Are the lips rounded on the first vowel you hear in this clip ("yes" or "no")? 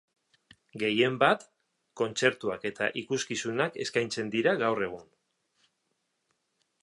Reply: no